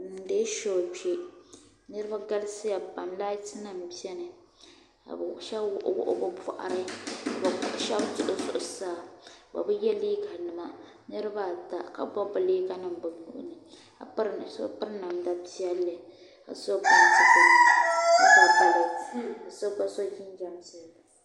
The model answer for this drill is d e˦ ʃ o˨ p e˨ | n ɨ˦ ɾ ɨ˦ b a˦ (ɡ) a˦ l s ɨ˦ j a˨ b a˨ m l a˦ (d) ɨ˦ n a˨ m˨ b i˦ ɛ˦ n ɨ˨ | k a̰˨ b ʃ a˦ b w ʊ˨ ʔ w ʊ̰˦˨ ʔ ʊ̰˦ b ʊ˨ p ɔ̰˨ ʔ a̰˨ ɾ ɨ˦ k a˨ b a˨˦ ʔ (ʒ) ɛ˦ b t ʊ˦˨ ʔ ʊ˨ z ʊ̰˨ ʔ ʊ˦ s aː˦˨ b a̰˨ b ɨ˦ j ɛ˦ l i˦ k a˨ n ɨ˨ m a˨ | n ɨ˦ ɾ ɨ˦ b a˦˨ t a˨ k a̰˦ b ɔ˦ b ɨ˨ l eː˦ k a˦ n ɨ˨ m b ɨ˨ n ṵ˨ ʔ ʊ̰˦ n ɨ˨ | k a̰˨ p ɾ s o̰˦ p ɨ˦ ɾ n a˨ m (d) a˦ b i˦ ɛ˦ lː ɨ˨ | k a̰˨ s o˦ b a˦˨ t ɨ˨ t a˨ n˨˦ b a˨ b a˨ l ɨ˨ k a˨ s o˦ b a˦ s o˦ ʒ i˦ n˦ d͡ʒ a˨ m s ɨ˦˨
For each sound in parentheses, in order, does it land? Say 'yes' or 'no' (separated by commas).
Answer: yes, no, no, yes